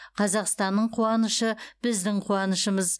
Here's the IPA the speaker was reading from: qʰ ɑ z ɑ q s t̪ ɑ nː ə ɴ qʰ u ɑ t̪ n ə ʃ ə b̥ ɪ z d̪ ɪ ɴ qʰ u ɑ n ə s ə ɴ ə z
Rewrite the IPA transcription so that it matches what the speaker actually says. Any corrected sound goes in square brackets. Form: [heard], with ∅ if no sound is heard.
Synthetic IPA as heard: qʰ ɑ z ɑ q s t̪ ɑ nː ə ɴ qʰ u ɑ [∅] n ə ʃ ə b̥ ɪ z d̪ ɪ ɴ qʰ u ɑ n ə [ʃ] ə [m] ə z